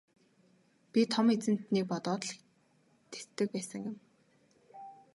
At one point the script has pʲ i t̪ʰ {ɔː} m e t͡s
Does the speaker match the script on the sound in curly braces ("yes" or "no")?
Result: no